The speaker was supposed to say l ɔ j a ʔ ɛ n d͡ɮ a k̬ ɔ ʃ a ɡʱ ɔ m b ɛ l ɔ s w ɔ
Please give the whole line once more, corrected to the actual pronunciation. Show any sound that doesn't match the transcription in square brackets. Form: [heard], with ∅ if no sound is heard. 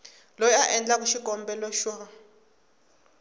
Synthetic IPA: l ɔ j a ʔ ɛ n d͡ɮ a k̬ [u] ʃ [i] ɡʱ ɔ m b ɛ l ɔ [ʃ] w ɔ